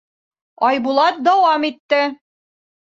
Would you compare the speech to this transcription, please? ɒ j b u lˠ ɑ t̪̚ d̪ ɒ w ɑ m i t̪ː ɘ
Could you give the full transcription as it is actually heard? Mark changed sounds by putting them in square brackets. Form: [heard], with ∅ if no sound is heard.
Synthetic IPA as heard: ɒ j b u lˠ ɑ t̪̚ d̪ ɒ w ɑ m i t̪ː ɘ